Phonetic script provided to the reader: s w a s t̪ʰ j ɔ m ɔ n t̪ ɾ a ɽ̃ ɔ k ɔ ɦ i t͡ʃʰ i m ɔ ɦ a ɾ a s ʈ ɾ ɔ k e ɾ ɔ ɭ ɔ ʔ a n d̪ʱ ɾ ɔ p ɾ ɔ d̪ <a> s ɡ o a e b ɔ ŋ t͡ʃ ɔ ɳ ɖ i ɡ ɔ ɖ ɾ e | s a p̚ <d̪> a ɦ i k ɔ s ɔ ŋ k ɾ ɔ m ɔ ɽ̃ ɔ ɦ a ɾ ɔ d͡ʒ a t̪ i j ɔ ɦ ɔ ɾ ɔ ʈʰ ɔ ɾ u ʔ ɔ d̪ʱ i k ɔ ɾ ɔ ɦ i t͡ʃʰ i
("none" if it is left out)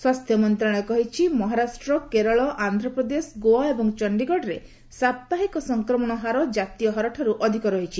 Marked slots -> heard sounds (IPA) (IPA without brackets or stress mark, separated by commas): e, t̪